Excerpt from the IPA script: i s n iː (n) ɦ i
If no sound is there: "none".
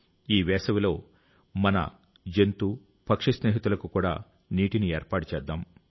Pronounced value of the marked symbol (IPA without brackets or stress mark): none